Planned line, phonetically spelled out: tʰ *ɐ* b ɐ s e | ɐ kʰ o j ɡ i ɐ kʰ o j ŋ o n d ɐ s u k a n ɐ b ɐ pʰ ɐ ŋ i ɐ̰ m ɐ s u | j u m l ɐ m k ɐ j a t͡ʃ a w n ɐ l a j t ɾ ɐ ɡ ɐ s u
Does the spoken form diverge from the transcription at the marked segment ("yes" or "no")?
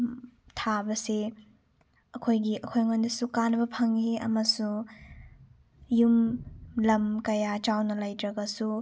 yes